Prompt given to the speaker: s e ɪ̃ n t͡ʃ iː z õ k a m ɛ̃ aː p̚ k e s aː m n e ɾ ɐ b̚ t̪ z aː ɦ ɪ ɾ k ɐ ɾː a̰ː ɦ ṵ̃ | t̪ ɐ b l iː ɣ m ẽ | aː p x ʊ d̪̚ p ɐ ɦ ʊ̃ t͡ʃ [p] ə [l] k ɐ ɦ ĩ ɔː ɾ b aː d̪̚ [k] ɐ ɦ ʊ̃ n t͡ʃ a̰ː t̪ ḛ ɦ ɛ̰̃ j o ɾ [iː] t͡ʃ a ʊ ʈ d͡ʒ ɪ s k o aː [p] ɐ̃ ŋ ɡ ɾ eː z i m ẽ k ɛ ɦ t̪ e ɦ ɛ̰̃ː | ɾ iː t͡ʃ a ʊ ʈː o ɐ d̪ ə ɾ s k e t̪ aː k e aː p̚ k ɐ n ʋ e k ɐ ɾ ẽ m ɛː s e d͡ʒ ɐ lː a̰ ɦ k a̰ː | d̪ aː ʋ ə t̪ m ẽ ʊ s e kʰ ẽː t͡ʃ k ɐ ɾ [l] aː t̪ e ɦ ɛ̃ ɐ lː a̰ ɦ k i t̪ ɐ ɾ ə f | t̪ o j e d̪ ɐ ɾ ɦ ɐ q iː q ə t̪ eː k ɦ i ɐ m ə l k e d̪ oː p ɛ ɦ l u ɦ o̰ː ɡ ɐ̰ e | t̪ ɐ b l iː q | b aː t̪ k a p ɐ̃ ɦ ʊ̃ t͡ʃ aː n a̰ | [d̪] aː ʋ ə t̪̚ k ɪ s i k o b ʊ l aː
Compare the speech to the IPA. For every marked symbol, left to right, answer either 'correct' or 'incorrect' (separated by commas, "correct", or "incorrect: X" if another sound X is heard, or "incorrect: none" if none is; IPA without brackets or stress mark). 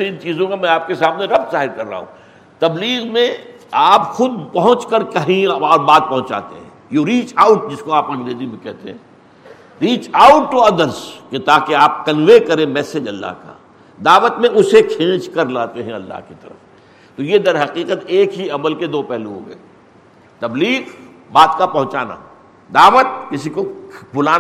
incorrect: k, incorrect: ɾ, incorrect: p, correct, correct, correct, correct